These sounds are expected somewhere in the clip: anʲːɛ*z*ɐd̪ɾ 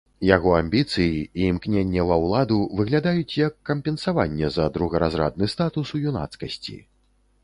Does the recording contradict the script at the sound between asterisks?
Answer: no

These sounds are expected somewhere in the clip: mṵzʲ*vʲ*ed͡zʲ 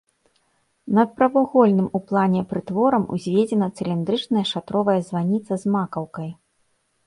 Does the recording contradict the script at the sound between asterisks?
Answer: no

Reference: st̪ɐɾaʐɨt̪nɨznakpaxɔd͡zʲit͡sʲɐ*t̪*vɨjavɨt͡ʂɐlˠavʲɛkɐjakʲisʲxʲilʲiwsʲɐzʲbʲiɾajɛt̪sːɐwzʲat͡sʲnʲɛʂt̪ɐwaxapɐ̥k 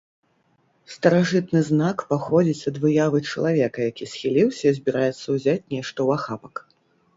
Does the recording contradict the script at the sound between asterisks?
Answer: yes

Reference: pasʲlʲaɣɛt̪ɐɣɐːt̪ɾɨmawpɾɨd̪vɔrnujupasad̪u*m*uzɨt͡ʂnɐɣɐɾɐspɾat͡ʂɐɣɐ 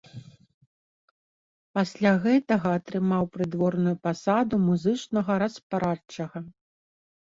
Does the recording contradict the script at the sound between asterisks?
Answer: no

